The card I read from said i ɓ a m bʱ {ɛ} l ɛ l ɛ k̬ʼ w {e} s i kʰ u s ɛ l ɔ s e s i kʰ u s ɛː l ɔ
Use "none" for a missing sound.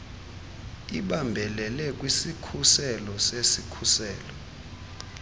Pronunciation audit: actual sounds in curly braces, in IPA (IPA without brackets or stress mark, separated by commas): ɛ, i